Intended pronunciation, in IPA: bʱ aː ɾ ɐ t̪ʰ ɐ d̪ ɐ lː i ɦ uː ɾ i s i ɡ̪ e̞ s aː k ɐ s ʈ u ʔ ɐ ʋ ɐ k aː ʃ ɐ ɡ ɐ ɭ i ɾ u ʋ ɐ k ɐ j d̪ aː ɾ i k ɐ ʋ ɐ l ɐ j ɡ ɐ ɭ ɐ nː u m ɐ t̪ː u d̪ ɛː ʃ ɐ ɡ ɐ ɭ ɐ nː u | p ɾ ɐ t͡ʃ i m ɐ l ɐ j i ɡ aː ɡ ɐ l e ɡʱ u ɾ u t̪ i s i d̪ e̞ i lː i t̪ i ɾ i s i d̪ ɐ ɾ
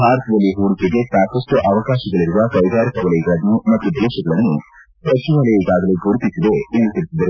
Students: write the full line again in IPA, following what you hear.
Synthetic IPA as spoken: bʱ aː ɾ ɐ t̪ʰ ɐ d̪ ɐ lː i ɦ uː ɾ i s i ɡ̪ e̞ s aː k ɐ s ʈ u ʔ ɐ ʋ ɐ k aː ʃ ɐ ɡ ɐ ɭ i ɾ u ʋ ɐ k ɐ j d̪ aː ɾ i k ɐ ʋ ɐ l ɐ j ɡ ɐ ɭ ɐ nː u m ɐ t̪ː u d̪ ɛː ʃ ɐ ɡ ɐ ɭ ɐ nː u | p ɾ ɐ t͡ʃ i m ɐ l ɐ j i ɡ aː ɡ ɐ l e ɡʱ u ɾ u t̪ i s i d̪ e̞ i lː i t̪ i ɾ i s i d̪ ɐ ɾ